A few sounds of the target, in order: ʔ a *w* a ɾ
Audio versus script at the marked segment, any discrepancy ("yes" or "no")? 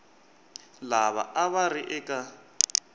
yes